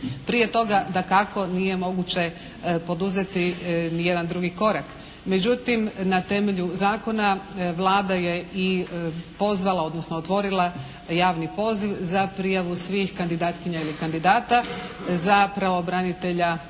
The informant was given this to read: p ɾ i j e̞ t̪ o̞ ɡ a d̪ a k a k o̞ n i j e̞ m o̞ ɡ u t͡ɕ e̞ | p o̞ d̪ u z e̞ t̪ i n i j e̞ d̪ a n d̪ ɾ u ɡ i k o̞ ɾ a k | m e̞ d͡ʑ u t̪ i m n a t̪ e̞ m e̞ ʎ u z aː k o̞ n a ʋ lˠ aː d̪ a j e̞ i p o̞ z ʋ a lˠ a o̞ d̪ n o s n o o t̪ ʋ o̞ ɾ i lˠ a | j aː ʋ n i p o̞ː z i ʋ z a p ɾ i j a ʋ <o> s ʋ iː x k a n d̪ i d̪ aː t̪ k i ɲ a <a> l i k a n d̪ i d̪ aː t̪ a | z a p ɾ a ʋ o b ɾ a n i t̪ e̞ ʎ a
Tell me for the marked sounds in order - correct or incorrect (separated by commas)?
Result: incorrect, incorrect